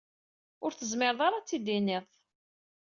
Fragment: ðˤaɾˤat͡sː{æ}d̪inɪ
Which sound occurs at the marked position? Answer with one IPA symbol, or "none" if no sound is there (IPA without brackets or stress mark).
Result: i